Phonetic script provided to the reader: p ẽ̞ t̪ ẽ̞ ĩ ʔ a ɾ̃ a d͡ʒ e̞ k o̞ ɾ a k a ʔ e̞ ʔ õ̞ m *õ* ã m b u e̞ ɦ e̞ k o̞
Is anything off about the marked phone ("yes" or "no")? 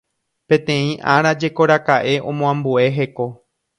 no